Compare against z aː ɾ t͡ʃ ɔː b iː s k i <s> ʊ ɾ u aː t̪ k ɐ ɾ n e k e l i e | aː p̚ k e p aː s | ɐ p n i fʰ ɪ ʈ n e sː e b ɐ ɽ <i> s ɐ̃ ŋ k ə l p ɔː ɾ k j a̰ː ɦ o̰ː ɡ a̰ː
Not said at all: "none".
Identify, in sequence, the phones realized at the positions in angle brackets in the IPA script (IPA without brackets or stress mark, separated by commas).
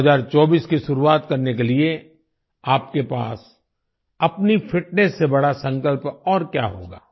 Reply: ʃ, a